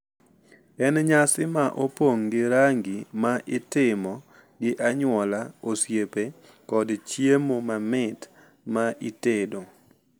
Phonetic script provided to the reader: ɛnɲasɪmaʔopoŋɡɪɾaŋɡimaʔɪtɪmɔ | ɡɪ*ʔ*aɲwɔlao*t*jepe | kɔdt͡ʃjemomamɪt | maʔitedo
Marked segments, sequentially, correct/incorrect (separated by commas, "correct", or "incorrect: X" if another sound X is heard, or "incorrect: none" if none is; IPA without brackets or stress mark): correct, incorrect: s